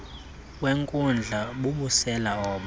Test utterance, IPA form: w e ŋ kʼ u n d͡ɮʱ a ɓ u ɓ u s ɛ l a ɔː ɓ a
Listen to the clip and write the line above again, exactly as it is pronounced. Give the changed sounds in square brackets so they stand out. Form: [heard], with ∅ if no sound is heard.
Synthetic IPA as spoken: w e ŋ kʼ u n d͡ɮʱ a ɓ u ɓ u s ɛ l a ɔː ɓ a